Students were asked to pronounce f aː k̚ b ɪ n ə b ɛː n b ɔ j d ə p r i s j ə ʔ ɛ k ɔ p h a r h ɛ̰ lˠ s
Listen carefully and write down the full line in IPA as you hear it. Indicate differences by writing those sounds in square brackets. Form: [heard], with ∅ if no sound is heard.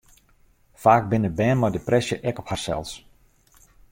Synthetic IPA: f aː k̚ b ɪ n ə b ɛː n [m] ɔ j d ə p r [ɛ] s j ə ʔ ɛ k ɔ p h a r [s] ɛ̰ lˠ s